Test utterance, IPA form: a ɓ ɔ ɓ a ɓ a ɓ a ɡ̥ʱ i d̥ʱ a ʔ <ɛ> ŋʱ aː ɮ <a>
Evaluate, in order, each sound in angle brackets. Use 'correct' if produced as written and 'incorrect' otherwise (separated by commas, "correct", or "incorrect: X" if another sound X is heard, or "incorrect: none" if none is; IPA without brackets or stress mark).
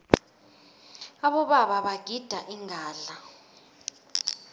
incorrect: i, correct